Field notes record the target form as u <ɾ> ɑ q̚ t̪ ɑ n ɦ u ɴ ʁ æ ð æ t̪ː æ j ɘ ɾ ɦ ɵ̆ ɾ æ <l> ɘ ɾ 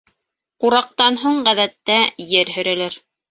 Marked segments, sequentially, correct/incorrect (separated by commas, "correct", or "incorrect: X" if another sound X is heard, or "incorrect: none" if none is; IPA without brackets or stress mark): correct, correct